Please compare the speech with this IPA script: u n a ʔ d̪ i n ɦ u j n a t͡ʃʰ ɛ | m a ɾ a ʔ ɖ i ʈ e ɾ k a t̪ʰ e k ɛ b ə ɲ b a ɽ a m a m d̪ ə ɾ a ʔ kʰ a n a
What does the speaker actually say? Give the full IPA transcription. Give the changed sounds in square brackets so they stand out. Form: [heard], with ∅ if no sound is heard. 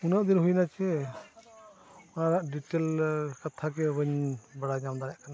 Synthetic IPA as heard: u n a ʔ d̪ i n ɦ u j n a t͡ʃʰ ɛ | [n] a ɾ a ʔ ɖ i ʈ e [l] k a t̪ʰ [a] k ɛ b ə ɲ b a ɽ a [ɲ] a m d̪ [a] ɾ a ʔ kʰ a n a

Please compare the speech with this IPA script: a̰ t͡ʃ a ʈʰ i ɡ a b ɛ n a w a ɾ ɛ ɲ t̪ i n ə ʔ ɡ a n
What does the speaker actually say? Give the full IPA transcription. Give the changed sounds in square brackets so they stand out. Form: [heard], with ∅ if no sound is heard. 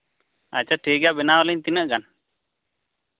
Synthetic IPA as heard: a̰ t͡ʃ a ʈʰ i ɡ a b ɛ n a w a [l] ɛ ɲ t̪ i n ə ʔ ɡ a n

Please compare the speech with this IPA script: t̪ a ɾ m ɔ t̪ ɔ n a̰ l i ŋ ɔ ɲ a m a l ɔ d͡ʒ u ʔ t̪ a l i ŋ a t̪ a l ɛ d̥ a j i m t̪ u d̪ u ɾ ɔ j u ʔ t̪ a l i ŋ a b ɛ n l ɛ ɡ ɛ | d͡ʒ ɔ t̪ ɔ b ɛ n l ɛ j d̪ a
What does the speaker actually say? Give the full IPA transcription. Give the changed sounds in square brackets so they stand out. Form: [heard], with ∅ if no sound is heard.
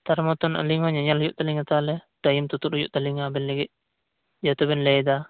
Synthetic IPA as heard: t̪ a ɾ m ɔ t̪ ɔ n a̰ l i ŋ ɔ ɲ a [ɲ] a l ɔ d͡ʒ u ʔ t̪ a l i ŋ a t̪ a l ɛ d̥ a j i m t̪ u [t̪] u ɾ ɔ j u ʔ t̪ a l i ŋ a b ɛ n l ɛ ɡ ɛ | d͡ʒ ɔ t̪ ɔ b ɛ n l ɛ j d̪ a

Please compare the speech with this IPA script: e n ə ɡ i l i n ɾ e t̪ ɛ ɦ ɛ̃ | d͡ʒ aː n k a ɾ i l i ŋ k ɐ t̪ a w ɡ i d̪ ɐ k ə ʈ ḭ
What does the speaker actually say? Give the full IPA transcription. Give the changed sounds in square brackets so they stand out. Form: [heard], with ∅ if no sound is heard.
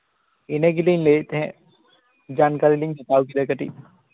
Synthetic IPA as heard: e n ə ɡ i l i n [l] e t̪ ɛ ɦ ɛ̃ | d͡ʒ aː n k a ɾ i l i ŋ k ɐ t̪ a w [k] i d̪ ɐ k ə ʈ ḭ

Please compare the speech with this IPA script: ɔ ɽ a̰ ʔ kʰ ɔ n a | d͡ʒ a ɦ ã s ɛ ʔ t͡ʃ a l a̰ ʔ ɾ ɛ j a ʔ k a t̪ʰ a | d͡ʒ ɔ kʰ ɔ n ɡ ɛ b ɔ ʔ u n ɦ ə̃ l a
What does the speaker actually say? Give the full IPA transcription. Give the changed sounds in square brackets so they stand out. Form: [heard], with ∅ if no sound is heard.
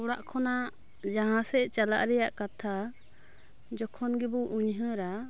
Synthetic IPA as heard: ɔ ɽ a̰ ʔ kʰ ɔ n a | d͡ʒ a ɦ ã s ɛ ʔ t͡ʃ a l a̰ ʔ ɾ ɛ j a ʔ k a t̪ʰ a | d͡ʒ ɔ kʰ ɔ n ɡ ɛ b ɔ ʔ u [ɲ] ɦ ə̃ [ɾ] a

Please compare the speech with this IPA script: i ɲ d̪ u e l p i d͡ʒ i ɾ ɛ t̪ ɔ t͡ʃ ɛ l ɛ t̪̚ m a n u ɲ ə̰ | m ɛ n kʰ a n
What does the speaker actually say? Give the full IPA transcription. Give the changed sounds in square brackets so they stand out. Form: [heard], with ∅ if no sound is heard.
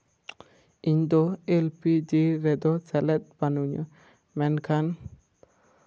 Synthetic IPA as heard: i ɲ d̪ [ɔ] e l p i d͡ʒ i ɾ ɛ [d̪] ɔ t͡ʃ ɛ l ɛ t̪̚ [b] a n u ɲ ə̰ | m ɛ n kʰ a n

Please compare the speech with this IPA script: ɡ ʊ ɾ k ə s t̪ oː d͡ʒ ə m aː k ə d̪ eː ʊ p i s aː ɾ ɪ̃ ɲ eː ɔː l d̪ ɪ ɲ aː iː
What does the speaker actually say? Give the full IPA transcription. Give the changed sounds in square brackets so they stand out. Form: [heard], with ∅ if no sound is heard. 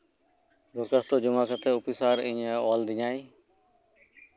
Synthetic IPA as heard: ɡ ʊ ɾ k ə s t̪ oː d͡ʒ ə m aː k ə [t̪] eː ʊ p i s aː ɾ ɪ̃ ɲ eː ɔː l d̪ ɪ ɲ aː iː

